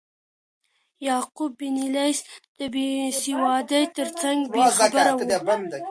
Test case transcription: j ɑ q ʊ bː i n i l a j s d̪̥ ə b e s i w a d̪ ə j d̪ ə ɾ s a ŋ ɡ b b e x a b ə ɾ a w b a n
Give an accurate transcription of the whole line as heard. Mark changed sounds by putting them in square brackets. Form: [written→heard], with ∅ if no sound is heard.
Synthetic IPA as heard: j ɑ q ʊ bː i n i l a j s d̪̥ ə b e s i w [a→ɑ] d̪ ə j [d̪→t̪] ə ɾ [s→t͡s] a ŋ ɡ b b e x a b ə ɾ a w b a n